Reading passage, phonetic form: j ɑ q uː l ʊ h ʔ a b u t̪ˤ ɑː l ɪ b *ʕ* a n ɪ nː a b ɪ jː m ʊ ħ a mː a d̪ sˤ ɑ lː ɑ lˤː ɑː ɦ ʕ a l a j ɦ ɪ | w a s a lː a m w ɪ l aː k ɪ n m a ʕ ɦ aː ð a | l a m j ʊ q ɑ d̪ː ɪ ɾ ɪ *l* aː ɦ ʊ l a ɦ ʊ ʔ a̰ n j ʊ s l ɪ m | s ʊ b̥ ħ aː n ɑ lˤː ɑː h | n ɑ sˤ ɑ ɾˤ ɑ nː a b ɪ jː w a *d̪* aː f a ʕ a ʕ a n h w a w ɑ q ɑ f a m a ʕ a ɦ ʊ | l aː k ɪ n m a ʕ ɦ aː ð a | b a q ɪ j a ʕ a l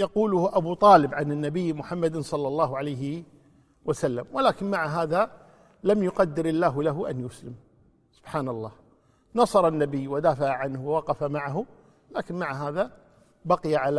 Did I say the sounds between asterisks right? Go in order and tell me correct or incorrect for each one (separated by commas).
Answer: correct, incorrect, correct